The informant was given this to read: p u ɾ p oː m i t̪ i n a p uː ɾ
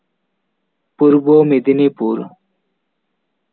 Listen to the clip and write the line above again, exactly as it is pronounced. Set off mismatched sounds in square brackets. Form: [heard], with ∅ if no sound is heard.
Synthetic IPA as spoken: p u ɾ [b] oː m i [d̪] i n [i] p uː ɾ